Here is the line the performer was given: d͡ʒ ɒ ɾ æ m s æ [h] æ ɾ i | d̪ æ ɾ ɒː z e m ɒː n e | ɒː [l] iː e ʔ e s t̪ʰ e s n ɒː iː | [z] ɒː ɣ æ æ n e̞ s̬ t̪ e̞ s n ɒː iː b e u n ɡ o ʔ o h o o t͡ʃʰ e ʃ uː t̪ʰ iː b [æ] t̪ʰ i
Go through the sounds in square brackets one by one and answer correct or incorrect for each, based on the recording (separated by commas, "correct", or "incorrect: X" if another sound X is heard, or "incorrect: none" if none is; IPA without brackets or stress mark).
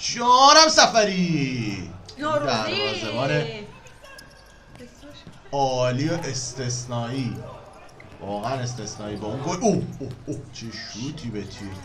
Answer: incorrect: f, correct, incorrect: v, incorrect: e